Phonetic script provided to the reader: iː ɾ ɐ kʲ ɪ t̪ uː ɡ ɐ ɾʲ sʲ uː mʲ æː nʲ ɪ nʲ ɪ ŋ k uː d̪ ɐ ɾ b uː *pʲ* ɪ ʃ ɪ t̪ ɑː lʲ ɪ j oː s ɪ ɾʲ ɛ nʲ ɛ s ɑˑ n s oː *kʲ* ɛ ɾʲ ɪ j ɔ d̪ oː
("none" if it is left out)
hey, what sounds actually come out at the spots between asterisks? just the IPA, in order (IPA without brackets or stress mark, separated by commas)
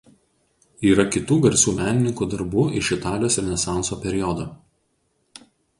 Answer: none, pʲ